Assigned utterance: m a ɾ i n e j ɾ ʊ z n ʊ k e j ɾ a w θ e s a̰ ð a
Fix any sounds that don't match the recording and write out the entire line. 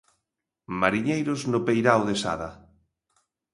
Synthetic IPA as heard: m a ɾ i ɲ e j ɾ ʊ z n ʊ p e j ɾ a w ð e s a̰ ð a